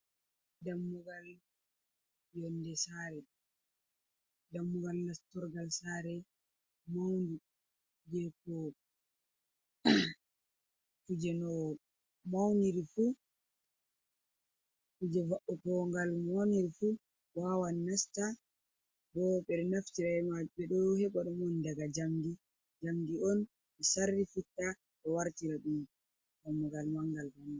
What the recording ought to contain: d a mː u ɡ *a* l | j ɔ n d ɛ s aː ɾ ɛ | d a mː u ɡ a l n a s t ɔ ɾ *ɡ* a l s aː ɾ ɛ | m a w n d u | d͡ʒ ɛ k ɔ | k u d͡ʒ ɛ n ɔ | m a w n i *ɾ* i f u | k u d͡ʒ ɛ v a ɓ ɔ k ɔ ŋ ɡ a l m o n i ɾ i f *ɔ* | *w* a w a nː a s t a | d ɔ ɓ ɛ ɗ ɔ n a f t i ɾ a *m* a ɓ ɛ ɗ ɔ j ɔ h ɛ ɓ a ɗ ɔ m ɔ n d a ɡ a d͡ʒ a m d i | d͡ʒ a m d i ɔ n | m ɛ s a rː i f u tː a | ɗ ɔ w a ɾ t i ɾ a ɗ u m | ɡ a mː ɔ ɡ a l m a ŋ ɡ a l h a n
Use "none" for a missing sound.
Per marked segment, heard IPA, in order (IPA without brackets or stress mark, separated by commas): a, ɡ, ɾ, u, w, m